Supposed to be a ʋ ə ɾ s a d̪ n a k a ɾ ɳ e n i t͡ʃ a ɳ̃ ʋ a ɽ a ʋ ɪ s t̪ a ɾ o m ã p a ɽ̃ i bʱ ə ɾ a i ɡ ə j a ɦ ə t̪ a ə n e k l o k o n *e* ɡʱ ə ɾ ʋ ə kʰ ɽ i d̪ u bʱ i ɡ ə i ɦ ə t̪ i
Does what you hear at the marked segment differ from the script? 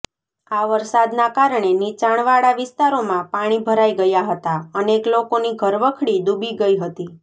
yes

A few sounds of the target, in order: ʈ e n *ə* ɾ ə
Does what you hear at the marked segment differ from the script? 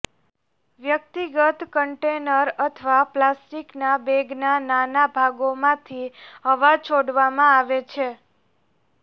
no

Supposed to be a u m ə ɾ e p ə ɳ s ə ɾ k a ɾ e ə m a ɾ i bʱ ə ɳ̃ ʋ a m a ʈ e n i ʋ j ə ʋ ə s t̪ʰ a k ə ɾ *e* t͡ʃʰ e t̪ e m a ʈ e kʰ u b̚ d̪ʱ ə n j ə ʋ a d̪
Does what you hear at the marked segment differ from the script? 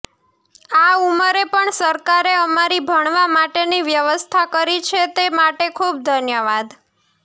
yes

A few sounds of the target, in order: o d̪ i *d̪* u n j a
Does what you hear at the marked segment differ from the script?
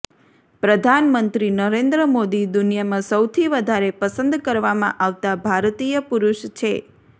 no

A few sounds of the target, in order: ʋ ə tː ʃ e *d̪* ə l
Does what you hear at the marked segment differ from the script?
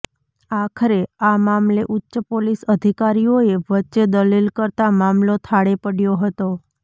no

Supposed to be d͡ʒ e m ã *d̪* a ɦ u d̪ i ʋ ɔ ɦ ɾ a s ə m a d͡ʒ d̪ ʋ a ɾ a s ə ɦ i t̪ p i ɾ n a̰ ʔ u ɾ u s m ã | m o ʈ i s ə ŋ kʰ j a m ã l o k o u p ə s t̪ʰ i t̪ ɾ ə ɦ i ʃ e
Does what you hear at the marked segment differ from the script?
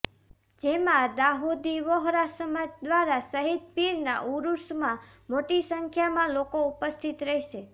no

